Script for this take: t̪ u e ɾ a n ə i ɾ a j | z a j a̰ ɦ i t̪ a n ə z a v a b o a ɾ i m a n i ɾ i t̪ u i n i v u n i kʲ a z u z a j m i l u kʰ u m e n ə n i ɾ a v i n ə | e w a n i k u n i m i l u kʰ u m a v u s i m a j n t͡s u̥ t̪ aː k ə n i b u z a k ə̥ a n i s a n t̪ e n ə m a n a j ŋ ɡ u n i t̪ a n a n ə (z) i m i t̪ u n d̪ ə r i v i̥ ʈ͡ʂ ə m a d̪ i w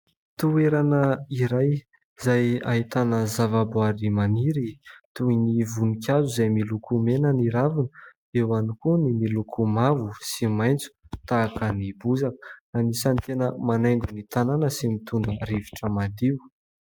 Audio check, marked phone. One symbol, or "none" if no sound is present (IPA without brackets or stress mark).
s